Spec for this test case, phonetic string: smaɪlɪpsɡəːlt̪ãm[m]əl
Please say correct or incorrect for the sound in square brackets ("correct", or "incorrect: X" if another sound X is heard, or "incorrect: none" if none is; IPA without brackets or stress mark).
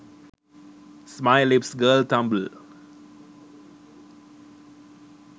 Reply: incorrect: b